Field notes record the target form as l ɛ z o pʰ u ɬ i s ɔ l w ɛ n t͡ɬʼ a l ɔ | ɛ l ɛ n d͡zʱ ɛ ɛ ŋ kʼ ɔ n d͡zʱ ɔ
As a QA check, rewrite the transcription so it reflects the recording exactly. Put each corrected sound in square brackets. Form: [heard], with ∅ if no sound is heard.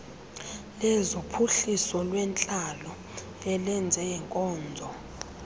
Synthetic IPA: l ɛ z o pʰ u ɬ i s ɔ l w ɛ n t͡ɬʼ a l ɔ | ɛ l ɛ n d͡zʱ ɛ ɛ ŋ kʼ [ɔː] n d͡zʱ ɔ